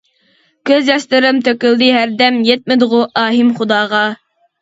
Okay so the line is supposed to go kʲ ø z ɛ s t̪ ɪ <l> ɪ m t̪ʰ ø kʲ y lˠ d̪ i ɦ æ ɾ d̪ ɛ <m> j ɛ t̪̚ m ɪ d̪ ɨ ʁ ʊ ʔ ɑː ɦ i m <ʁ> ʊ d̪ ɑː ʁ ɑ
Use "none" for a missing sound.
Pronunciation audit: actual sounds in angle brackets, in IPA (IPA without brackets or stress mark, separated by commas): ɾ, m, χ